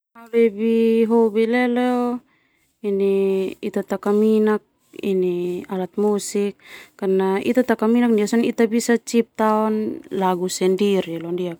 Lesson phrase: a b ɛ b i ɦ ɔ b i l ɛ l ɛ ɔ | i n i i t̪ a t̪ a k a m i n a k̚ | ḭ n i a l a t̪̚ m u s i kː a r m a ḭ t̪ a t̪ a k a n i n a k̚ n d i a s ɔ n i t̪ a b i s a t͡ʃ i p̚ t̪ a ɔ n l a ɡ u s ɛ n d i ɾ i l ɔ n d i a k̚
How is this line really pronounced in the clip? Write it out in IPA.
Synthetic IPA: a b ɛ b i ɦ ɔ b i l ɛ l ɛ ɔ | i n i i t̪ a t̪ a k a m i n a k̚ | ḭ n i a l a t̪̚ m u s i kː a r n a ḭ t̪ a t̪ a k a m i n a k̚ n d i a s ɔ n i t̪ a b i s a t͡ʃ i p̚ t̪ a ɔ n l a ɡ u s ɛ n d i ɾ i l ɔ n d i a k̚